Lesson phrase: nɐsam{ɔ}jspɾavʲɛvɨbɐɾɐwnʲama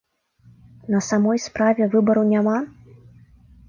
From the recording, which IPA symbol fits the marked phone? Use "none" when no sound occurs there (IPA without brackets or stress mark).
ɔ